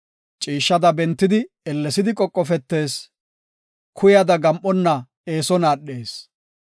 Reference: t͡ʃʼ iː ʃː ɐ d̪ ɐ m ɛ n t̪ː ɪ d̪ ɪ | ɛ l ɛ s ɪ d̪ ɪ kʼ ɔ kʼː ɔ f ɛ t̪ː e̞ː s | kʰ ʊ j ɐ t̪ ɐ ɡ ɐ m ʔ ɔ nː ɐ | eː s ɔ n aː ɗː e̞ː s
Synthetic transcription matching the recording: t͡ʃʼ iː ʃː ɐ d̪ ɐ b ɛ n t̪ː ɪ d̪ ɪ | ɛ lː ɛ s ɪ d̪ ɪ kʼ ɔ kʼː ɔ f ɛ t̪ː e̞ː s | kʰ ʊ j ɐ d̪ ɐ ɡ ɐ m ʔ ɔ nː ɐ | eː s ɔ n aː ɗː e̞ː s